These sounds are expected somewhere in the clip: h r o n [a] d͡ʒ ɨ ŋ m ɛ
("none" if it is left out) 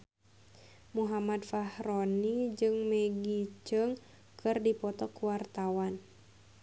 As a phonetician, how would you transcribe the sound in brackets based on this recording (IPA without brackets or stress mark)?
i